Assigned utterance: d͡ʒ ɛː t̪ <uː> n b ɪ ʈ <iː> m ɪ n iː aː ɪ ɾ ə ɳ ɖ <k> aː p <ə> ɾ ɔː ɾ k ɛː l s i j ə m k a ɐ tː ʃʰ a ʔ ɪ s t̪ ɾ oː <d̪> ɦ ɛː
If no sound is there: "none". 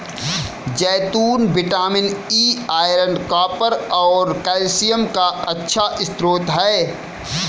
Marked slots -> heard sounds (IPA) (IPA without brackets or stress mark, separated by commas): uː, aː, k, ə, t̪